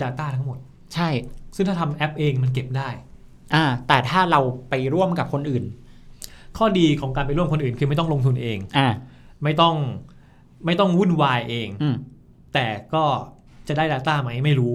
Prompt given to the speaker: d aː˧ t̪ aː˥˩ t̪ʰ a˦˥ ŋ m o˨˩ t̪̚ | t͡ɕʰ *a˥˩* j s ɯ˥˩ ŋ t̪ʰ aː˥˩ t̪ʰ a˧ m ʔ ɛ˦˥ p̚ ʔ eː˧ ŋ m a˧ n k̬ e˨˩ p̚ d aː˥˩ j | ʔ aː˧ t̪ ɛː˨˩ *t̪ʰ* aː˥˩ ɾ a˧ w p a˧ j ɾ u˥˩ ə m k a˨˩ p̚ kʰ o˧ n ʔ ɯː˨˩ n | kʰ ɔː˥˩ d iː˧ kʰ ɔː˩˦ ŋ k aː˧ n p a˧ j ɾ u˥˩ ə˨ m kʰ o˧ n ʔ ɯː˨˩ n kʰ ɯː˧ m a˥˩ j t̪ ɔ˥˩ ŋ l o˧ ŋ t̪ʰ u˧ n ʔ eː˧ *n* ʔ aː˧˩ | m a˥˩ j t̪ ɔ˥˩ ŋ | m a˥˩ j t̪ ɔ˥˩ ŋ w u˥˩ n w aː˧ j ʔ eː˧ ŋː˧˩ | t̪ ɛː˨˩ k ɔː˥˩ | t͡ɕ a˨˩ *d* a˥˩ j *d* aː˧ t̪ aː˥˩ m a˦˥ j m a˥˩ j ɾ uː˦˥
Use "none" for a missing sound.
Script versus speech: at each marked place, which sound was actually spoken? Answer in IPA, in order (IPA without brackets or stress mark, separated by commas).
a˥˩, t̪ʰ, ŋ, d, d